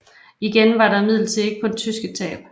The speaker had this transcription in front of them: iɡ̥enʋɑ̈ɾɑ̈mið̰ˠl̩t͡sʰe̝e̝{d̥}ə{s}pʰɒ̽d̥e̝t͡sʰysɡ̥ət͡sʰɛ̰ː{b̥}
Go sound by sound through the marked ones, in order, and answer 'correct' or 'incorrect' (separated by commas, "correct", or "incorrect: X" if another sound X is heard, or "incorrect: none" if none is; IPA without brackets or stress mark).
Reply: incorrect: ɡ̥, incorrect: none, correct